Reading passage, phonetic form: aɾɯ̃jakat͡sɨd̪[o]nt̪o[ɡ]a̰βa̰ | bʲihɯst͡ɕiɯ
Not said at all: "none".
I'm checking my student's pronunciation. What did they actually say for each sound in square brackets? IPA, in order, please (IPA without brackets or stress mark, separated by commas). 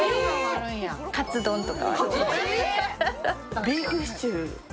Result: õ, k